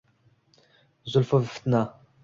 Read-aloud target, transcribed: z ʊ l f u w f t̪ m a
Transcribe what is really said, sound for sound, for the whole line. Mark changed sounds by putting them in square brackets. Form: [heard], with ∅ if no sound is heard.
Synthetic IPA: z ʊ l f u [v] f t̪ [n] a